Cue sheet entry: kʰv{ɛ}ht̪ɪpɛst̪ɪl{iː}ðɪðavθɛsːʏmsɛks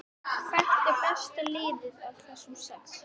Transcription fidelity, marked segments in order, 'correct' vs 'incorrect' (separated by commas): correct, incorrect